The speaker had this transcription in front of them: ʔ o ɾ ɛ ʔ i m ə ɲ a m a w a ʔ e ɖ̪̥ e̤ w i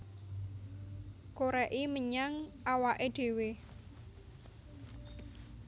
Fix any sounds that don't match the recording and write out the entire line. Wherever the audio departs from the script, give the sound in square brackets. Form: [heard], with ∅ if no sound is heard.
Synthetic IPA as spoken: [k] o ɾ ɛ ʔ i m ə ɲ a [ŋ] a w a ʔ e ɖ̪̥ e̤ w [e]